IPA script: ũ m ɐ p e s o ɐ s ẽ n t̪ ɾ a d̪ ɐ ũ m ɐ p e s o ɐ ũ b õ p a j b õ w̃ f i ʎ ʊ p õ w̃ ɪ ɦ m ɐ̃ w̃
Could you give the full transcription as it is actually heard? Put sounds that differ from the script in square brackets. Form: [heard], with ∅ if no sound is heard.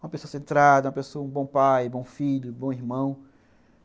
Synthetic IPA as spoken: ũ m ɐ p e s o ɐ s ẽ n t̪ ɾ a d̪ ɐ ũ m ɐ p e s o ɐ ũ b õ p a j b õ w̃ f i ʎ ʊ [b] õ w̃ [i] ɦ m ɐ̃ w̃